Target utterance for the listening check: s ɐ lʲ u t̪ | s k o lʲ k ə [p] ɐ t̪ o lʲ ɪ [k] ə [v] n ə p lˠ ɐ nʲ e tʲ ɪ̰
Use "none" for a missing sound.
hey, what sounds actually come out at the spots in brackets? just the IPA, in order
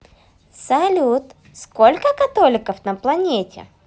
k, k, f

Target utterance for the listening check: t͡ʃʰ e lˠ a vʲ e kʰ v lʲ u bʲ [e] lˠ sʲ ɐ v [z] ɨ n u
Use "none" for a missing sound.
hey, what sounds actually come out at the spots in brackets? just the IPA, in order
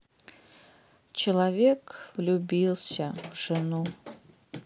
i, ʐ

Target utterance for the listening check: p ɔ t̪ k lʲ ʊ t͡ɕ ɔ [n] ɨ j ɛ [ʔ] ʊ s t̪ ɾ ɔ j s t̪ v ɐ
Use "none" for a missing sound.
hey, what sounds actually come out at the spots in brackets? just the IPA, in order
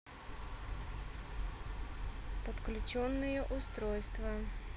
nː, ʔ

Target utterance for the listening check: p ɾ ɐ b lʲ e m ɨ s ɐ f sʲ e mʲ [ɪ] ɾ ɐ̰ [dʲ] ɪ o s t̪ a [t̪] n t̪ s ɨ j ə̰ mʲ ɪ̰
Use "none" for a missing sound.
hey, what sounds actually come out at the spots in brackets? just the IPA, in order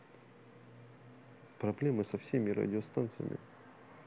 ɪ, dʲ, none

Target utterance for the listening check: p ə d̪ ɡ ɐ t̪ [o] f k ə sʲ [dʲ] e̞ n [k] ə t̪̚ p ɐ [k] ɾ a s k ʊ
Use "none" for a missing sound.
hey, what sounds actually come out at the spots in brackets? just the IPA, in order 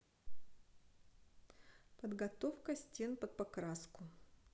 o, tʲ, p, k

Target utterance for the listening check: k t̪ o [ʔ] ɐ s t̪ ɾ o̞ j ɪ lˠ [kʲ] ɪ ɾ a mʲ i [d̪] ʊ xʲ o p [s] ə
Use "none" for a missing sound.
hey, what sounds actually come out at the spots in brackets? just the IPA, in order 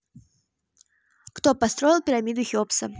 p, pʲ, d̪, s

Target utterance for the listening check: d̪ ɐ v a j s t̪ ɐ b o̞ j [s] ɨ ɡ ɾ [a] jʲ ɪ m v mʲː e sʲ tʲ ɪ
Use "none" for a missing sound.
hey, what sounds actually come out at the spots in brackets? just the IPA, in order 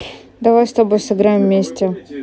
s, a

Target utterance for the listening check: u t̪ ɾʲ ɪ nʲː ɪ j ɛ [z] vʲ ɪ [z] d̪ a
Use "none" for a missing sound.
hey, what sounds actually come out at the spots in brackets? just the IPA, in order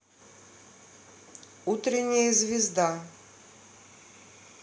z, z

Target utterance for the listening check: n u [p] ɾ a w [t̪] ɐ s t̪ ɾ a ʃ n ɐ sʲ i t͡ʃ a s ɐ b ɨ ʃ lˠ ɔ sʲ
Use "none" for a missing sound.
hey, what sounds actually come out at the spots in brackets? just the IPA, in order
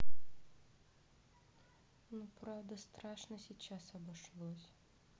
p, d̪

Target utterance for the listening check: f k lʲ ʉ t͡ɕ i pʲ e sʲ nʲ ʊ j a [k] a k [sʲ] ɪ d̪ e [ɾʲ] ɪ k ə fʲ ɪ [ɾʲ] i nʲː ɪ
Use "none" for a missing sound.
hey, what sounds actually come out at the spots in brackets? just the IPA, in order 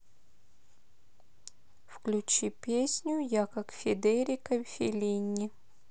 k, fʲ, ɾʲ, lʲ

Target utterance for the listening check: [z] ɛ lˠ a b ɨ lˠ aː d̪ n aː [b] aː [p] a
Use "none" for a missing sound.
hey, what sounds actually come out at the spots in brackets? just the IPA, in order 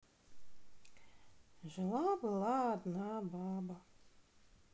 ʒ, b, b

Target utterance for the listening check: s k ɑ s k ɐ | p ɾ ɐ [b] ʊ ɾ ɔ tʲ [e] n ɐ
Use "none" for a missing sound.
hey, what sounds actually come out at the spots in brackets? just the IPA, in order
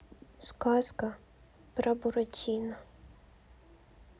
b, i

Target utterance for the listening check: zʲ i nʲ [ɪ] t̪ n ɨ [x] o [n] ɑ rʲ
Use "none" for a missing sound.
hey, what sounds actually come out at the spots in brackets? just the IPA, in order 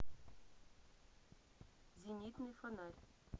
i, f, n

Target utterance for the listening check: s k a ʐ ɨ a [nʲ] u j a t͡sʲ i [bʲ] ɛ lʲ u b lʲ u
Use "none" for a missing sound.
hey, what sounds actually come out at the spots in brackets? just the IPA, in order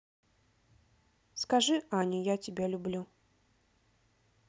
nʲ, bʲ

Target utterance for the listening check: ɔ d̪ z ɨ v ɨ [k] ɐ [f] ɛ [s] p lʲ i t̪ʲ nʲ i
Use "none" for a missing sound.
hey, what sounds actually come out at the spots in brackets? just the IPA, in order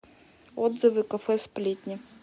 k, f, s

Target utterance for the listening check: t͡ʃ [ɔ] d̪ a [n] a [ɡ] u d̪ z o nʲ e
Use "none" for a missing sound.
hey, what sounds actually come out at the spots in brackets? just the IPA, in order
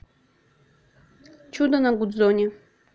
u, n, ɡ

